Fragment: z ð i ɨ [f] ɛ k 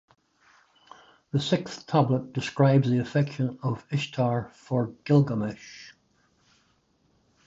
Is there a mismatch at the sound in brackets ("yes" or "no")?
no